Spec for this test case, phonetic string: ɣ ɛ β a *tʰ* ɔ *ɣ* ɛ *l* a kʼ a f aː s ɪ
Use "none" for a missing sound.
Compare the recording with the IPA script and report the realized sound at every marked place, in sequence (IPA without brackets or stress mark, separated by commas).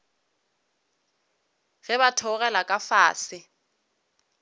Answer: tʰ, ɣ, l